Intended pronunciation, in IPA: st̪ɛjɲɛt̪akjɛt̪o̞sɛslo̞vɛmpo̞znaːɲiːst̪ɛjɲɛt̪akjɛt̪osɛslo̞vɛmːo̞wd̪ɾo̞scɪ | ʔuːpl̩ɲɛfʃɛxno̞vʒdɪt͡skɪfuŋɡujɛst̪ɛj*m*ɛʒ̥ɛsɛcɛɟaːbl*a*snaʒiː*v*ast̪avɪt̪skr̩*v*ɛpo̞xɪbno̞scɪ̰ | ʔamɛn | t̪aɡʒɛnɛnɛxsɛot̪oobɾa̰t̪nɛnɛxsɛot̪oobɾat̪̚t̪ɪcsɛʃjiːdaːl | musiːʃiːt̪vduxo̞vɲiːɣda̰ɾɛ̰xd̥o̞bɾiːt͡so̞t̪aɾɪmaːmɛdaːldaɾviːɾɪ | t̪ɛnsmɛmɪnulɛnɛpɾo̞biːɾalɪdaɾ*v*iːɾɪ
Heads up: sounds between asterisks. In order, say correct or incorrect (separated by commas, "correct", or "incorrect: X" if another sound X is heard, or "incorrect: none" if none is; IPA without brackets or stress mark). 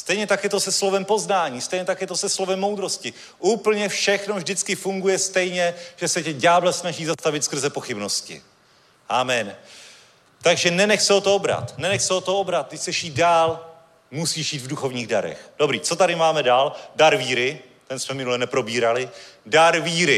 incorrect: ɲ, incorrect: ɛ, incorrect: z, incorrect: z, correct